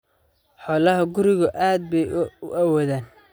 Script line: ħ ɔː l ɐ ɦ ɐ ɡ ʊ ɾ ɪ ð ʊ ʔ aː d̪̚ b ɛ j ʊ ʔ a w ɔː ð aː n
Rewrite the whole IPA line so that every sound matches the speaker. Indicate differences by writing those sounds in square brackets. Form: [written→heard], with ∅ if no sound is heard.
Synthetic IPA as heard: ħ ɔː l ɐ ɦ ɐ ɡ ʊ ɾ ɪ [ð→ɣ] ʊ ʔ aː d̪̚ b ɛ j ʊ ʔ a w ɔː ð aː n